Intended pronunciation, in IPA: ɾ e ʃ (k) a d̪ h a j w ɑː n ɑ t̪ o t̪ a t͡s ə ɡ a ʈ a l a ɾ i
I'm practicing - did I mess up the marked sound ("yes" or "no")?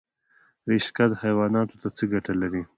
no